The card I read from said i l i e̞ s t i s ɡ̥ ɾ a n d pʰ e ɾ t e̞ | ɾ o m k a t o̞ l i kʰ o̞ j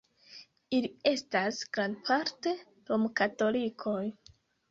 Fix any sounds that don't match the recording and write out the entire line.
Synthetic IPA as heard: i l i e̞ s t a s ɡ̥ ɾ a n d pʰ a ɾ t e̞ | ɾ o m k a t o̞ l i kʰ o̞ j